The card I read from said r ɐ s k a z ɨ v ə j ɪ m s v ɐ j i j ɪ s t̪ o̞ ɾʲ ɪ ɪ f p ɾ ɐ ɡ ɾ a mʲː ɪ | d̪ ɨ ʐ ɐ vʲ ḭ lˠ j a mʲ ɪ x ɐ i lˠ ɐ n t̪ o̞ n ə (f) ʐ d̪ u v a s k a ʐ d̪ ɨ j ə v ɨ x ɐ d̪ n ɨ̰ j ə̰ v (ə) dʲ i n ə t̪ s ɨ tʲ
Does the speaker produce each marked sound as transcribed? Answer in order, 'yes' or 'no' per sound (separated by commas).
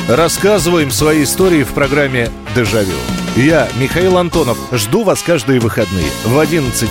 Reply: yes, no